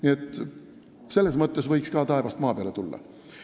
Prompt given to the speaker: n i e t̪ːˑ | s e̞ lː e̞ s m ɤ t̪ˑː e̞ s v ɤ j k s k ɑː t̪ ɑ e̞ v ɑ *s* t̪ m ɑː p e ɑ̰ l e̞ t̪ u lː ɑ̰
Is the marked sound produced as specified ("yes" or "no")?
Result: yes